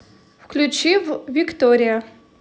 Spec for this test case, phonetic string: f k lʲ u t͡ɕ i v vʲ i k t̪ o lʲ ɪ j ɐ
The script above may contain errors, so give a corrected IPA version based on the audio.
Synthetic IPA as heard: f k lʲ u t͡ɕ i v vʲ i k t̪ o ɾʲ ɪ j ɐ

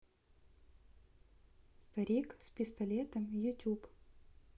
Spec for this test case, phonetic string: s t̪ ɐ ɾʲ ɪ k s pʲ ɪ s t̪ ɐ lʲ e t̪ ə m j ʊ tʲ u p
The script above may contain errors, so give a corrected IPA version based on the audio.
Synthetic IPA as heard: s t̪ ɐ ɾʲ i k s pʲ ɪ s t̪ ɐ lʲ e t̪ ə m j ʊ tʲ u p

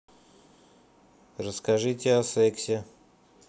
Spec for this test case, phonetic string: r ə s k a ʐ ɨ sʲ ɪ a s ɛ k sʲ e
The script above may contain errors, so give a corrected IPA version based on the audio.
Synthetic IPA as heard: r ə s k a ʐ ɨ tʲ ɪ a s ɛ k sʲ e

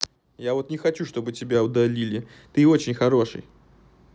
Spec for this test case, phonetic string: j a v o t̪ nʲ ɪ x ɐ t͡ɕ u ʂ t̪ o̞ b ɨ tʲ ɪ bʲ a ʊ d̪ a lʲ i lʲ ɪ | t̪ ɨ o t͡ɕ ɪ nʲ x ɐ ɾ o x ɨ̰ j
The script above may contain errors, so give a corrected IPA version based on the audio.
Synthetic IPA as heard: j a v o t̪ nʲ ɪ x ɐ t͡ɕ u ʂ t̪ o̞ b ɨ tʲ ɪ bʲ a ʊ d̪ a lʲ i lʲ ɪ | t̪ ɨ o t͡ɕ ɪ nʲ x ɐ ɾ o ʂ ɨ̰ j

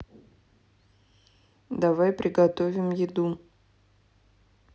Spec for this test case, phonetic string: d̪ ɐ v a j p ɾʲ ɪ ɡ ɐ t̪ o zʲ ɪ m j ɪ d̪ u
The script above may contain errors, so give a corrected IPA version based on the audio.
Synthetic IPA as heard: d̪ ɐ v a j p ɾʲ ɪ ɡ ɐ t̪ o vʲ ɪ m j ɪ d̪ u

